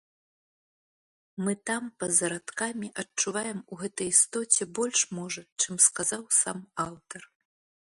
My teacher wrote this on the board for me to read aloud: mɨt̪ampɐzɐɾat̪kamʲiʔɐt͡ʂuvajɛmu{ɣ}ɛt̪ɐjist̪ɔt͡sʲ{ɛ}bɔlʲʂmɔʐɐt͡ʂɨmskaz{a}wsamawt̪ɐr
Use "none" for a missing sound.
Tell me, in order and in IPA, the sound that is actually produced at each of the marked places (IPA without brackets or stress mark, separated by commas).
ɣ, ɛ, a